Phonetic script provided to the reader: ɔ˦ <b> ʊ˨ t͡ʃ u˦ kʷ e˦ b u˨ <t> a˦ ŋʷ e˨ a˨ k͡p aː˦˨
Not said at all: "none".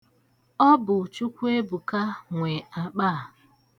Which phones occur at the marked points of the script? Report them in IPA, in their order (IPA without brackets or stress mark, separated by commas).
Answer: b, k